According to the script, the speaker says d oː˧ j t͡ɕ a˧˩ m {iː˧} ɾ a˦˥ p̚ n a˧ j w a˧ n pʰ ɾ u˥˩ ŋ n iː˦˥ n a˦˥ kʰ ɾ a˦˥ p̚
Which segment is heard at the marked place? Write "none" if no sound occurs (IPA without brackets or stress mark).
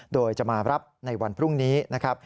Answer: aː˧